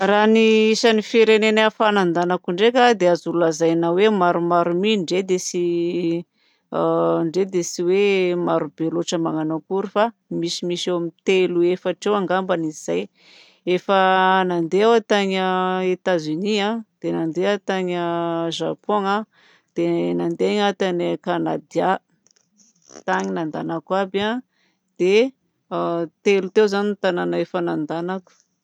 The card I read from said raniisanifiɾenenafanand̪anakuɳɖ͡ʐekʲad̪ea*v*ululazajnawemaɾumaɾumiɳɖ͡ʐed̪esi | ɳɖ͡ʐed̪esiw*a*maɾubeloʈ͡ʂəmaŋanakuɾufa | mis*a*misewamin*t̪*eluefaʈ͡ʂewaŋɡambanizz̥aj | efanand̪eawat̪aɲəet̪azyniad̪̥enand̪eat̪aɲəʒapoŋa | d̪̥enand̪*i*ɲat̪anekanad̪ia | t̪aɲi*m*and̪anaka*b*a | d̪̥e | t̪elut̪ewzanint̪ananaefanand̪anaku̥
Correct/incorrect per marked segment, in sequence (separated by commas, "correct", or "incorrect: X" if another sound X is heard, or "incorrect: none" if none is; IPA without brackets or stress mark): incorrect: z, incorrect: e, incorrect: i, correct, incorrect: e, incorrect: n, correct